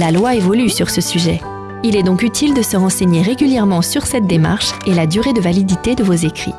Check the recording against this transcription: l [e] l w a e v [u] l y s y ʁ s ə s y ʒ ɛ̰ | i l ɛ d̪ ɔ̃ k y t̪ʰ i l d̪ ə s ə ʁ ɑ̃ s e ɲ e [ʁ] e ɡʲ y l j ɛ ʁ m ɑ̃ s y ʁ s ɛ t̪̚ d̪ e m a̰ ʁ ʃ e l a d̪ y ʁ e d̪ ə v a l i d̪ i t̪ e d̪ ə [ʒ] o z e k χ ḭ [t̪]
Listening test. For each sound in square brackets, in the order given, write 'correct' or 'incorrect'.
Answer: incorrect: a, incorrect: ɔ, correct, incorrect: v, incorrect: none

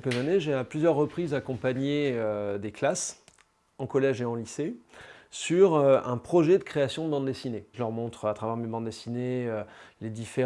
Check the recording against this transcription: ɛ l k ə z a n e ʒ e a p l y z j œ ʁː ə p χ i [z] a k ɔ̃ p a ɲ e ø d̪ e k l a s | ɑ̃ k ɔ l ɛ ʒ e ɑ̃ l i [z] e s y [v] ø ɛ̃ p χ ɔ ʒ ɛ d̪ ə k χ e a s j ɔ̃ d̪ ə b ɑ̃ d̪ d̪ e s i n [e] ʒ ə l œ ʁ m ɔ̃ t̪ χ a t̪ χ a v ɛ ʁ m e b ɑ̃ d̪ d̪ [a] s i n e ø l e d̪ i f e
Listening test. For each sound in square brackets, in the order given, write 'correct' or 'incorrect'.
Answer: correct, incorrect: s, incorrect: ʁ, correct, incorrect: e

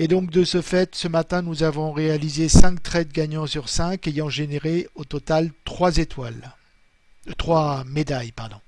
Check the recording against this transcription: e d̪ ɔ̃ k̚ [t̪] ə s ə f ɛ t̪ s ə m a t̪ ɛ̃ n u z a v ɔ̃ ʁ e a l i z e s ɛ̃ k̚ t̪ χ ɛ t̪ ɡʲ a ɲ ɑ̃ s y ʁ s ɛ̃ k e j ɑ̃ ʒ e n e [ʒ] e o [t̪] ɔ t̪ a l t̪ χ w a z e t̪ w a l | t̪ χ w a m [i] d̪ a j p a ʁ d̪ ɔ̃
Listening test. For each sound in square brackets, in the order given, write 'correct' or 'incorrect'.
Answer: incorrect: d̪, incorrect: ʁ, correct, incorrect: e

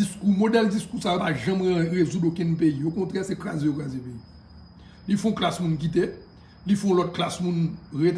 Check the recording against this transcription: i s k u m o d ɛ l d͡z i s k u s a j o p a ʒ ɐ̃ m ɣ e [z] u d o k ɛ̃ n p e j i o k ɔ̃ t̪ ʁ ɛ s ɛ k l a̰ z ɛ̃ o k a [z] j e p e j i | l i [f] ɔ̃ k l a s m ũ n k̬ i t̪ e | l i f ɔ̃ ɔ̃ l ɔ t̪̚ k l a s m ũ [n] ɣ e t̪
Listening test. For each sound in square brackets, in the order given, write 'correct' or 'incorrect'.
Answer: correct, correct, correct, correct

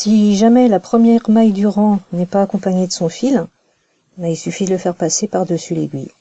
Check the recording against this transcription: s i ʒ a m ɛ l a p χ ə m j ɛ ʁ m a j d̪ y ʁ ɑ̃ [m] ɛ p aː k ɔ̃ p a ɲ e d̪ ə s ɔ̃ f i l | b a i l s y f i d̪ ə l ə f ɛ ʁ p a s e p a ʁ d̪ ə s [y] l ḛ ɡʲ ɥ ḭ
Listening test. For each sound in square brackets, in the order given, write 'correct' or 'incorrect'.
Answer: incorrect: n, correct

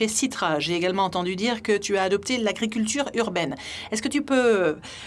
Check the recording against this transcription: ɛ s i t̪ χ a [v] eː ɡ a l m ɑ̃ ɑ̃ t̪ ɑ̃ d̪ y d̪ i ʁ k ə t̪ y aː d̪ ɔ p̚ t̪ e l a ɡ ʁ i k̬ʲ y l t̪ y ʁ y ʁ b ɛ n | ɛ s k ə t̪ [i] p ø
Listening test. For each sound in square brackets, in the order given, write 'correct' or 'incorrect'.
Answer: incorrect: ʒ, incorrect: y

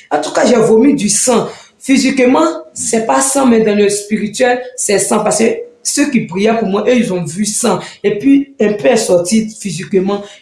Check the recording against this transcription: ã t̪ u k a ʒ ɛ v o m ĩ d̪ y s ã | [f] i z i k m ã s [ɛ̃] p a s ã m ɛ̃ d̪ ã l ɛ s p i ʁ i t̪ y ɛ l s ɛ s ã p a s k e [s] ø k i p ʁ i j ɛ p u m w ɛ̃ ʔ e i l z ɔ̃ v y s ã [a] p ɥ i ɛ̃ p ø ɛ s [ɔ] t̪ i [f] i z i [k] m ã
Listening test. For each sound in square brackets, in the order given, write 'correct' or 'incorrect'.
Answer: correct, incorrect: ɛ, correct, incorrect: e, correct, correct, correct

